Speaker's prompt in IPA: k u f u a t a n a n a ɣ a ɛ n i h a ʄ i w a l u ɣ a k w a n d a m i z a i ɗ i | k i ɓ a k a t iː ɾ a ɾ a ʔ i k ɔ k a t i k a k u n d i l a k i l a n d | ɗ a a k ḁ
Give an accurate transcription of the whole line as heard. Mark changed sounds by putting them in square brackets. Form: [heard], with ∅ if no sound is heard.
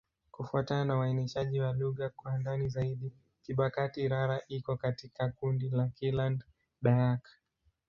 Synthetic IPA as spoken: k u f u a t a n a n a [w] a ɛ n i [ʃ] a ʄ i w a l u ɣ a k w a n d a [n] i z a i ɗ i | k i ɓ a k a t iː ɾ a ɾ a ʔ i k ɔ k a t i k a k u n d i l a k i l a n d | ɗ a a k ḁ

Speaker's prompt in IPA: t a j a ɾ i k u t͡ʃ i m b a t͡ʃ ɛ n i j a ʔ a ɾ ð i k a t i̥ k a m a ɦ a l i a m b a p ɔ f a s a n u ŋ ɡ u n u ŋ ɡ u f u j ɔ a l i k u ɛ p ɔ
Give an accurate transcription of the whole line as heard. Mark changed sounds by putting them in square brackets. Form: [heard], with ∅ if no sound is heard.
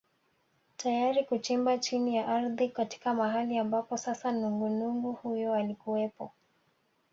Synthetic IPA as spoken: t a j a ɾ i k u t͡ʃ i m b a t͡ʃ [i] n i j a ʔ a ɾ ð i k a t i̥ k a m a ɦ a l i a m b a p ɔ [s] a s a n u ŋ ɡ u n u ŋ ɡ u [h] u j ɔ a l i k u ɛ p ɔ

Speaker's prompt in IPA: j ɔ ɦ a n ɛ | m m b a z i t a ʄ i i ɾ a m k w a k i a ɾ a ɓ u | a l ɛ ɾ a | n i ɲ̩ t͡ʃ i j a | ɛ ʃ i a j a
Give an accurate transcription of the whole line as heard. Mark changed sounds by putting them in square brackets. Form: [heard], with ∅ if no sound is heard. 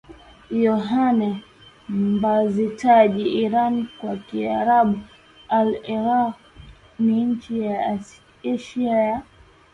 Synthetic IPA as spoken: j ɔ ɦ a n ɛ | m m b a z i t a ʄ i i ɾ a [n] k w a k i a ɾ a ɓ u | a l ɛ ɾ a | n i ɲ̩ t͡ʃ i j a | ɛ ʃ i a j a

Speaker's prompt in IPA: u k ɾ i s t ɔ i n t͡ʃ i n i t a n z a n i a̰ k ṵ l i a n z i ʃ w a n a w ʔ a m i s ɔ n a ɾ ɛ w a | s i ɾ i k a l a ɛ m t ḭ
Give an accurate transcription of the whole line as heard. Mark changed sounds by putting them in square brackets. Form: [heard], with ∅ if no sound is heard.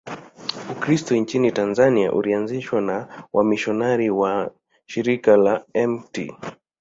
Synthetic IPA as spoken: u k ɾ i s t ɔ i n t͡ʃ i n i t a n z a n i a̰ [ʔ] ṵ l i a n z i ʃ w a n a w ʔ a m i [ʃ] ɔ n a ɾ [i] w a | [ʃ] i ɾ i k a l a ɛ m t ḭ

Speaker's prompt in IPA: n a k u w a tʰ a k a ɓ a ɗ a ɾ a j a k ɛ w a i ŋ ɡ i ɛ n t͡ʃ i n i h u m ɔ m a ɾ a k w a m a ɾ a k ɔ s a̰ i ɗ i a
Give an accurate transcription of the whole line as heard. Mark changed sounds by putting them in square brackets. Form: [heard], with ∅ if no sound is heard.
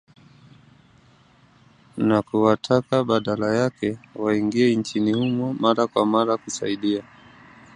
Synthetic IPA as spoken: n a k u w a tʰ a k a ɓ a ɗ a [l] a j a k ɛ w a i ŋ ɡ i ɛ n t͡ʃ i n i h u m ɔ m a ɾ a k w a m a ɾ a k [u] s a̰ i ɗ i a

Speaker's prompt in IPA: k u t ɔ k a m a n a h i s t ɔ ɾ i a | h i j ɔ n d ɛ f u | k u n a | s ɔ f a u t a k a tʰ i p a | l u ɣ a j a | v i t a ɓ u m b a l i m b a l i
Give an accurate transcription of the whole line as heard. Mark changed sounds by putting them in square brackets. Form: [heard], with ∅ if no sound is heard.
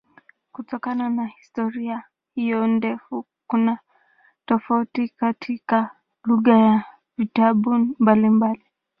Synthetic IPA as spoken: k u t ɔ k a [n] a n a h i s t ɔ ɾ i a | h i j ɔ n d ɛ f u | k u n a | [t] ɔ f a u t [i] k a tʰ i [k] a | l u ɣ a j a | v i t a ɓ u m b a l i m b a l i

